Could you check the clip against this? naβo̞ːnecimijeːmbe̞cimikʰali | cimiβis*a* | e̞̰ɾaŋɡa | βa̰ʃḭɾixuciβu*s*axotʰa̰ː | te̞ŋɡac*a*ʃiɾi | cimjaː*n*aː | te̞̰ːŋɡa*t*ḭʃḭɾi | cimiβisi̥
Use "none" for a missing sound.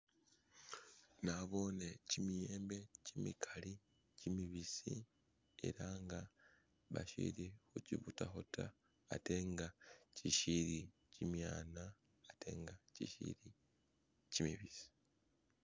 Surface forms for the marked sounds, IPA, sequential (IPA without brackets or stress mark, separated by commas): i, t, i, n, c